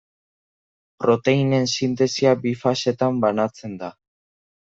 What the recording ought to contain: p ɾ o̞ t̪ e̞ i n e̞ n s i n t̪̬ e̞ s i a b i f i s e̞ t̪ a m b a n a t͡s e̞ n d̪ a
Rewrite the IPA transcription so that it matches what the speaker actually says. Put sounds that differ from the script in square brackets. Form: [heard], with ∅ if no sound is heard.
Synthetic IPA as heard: p ɾ o̞ t̪ e̞ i n e̞ n s i n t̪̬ e̞ s i a b i f [a] s e̞ t̪ a m b a n a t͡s e̞ n d̪ a